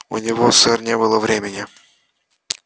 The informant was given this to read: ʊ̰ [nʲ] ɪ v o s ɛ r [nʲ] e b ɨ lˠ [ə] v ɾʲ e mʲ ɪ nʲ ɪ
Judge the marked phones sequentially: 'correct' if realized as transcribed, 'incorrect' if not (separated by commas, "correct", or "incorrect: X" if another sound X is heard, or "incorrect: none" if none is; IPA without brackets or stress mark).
correct, correct, correct